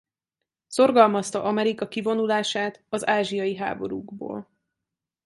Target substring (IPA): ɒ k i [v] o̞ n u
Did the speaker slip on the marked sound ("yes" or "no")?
no